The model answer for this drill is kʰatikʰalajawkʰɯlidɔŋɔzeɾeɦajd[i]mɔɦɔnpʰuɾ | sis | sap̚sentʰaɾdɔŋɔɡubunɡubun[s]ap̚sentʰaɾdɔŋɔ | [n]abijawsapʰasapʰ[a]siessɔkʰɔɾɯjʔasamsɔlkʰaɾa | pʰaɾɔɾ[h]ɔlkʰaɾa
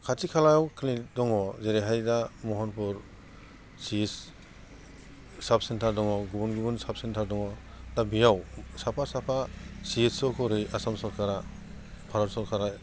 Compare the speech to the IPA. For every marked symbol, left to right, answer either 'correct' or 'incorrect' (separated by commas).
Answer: incorrect, correct, incorrect, correct, incorrect